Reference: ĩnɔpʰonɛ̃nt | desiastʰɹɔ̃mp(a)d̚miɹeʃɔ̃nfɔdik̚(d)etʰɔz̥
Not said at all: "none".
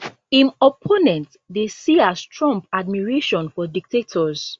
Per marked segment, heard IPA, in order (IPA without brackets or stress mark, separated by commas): a, t